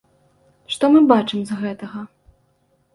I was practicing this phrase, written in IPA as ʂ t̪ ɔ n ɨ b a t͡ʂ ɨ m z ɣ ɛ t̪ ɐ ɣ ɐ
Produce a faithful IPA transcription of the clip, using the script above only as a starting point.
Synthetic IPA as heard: ʂ t̪ ɔ m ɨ b a t͡ʂ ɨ m z ɣ ɛ t̪ ɐ ɣ ɐ